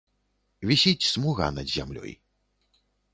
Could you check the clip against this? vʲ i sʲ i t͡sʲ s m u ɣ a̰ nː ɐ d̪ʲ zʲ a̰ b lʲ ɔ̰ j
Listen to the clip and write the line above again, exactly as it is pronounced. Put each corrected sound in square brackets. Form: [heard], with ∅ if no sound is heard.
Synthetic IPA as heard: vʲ i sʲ i t͡sʲ s m u ɣ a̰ [n] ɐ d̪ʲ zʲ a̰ [m] lʲ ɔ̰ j

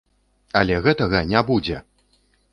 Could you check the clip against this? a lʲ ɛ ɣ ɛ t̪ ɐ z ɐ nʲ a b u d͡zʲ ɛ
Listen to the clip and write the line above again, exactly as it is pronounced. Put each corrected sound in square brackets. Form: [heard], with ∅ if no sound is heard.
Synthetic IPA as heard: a lʲ ɛ ɣ ɛ t̪ ɐ [ɣ] ɐ nʲ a b u d͡zʲ ɛ

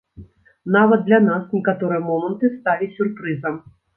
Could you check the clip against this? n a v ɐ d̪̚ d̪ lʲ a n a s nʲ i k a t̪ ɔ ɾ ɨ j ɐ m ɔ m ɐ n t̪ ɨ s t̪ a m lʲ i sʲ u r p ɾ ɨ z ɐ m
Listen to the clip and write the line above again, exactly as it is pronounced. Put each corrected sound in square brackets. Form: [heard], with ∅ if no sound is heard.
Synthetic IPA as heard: n a v ɐ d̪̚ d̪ lʲ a n a s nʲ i k a t̪ ɔ ɾ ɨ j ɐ m ɔ m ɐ n t̪ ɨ s t̪ a [∅] lʲ i sʲ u r p ɾ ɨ z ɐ m

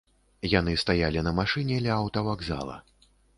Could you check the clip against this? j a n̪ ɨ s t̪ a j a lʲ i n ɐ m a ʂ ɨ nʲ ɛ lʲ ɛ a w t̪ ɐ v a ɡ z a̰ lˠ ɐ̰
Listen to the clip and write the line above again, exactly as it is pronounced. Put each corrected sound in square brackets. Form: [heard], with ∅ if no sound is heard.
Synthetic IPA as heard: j a n̪ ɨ s t̪ a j a lʲ i n ɐ m a ʂ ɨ nʲ ɛ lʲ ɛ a w t̪ ɐ v a ɡ z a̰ lˠ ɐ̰

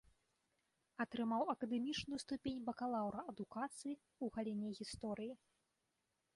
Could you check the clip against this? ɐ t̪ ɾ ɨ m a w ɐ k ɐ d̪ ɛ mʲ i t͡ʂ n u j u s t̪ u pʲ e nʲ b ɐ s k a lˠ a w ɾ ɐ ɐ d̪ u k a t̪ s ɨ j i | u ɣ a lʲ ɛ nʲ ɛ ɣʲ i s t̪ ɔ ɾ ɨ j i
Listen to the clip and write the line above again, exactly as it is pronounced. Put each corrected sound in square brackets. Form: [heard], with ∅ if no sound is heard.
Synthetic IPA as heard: ɐ t̪ ɾ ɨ m a w ɐ k ɐ d̪ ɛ mʲ i t͡ʂ n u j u s t̪ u pʲ e nʲ b ɐ [∅] k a lˠ a w ɾ ɐ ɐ d̪ u k a t̪ s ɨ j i | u ɣ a lʲ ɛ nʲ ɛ ɣʲ i s t̪ ɔ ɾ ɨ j i

